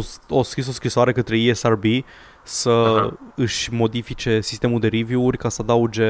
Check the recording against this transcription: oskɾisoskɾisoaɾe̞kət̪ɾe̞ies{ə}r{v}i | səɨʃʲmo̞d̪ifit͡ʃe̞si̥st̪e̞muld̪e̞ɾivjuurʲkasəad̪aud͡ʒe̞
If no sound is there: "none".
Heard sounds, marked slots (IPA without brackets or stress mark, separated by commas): a, b